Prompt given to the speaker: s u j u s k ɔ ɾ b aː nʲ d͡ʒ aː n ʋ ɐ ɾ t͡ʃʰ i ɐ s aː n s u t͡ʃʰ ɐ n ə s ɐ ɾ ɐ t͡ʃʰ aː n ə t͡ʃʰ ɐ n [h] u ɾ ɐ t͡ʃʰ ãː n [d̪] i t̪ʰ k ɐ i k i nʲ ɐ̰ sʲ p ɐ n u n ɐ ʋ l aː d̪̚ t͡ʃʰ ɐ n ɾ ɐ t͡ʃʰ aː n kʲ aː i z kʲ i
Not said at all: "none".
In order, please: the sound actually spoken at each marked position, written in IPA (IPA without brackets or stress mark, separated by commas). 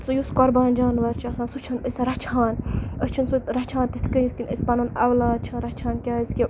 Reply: s, t̪